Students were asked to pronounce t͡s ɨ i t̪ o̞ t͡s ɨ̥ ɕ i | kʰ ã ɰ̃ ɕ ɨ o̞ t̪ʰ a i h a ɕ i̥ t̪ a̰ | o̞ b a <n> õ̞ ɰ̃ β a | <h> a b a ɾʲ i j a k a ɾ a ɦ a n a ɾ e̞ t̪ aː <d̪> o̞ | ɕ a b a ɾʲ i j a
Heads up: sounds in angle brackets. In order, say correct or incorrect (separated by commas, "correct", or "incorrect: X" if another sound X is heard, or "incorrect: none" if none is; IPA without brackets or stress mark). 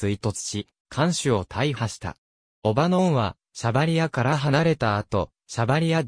correct, incorrect: ɕ, incorrect: t̪